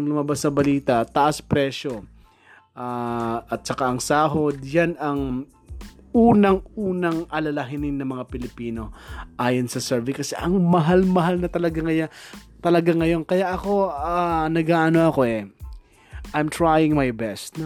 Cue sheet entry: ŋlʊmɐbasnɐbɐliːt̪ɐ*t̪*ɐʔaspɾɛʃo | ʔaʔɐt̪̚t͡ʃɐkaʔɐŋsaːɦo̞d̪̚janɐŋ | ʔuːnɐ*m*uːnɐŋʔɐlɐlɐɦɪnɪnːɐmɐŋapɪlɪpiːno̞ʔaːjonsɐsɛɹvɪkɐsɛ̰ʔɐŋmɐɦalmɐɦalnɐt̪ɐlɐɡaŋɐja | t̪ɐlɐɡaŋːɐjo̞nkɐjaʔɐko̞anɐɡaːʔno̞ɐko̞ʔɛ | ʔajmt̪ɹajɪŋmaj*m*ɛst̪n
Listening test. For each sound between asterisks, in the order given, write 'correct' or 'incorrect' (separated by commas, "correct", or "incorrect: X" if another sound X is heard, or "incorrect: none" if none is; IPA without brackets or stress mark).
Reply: correct, incorrect: ŋ, incorrect: b